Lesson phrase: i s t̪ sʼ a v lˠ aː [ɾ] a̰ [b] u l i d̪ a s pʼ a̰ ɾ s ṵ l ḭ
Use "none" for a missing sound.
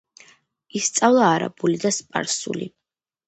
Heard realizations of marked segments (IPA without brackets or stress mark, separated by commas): ɾ, b